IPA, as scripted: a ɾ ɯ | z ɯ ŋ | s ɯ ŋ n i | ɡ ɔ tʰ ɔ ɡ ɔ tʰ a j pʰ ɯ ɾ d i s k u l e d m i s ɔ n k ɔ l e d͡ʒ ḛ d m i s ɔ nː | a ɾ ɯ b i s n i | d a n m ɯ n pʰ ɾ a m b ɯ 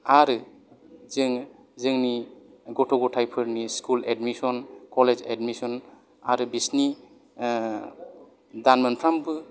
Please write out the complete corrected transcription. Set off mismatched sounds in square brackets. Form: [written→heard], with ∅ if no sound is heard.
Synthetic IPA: a ɾ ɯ | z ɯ ŋ | [s→z] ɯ ŋ n i | ɡ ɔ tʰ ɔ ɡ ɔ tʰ a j pʰ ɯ ɾ [d→n] i s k u l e d m i s ɔ n k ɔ l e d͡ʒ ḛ d m i s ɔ [nː→n] | a ɾ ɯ b i s n i | d a n m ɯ n pʰ ɾ a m b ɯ